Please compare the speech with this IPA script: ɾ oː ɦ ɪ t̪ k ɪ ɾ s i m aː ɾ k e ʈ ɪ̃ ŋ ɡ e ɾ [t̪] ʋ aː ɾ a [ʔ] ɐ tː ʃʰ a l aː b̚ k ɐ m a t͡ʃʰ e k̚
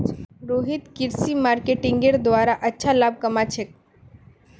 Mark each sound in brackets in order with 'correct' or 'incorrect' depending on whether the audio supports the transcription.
incorrect: d̪, correct

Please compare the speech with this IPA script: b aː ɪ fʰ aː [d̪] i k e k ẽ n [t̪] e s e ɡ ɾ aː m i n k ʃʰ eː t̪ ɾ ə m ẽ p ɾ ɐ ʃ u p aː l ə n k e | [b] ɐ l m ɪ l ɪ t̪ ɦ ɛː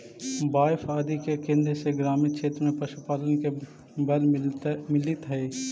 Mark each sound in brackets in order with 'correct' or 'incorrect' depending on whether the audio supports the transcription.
correct, incorrect: d̪, correct

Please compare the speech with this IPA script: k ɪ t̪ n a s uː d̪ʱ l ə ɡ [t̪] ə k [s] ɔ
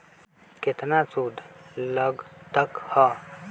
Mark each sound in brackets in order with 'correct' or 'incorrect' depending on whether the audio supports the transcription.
correct, incorrect: h

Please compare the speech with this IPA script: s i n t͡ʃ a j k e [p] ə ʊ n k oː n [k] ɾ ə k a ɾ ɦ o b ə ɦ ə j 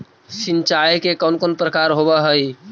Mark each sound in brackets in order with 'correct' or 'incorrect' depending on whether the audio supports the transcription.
incorrect: k, incorrect: p

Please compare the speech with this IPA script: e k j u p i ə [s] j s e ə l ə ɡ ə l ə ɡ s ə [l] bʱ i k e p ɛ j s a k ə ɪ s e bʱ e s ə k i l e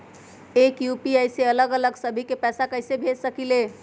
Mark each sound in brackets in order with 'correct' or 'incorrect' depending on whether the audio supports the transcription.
incorrect: none, incorrect: none

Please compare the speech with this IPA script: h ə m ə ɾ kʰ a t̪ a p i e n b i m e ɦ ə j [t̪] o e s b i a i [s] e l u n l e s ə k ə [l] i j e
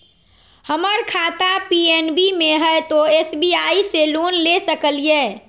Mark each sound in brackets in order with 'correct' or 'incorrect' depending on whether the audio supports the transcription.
correct, correct, correct

